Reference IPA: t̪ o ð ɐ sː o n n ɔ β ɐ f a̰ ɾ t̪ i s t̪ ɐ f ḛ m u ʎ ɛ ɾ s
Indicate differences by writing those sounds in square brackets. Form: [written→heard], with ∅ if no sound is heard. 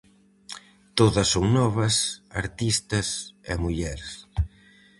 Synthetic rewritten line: t̪ o ð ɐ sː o [n→ŋ] n ɔ β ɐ [f→s] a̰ ɾ t̪ i s t̪ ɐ [f→s] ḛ m u ʎ ɛ ɾ s